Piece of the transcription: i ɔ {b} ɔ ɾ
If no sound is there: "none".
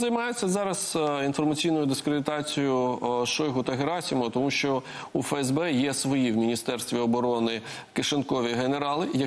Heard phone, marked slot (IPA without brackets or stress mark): b